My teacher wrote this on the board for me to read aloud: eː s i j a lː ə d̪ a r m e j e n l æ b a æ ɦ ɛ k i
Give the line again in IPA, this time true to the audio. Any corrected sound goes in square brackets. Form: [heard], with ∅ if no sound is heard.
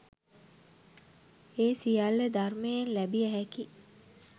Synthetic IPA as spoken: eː s i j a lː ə d̪ a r m e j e n l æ b [i] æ ɦ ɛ k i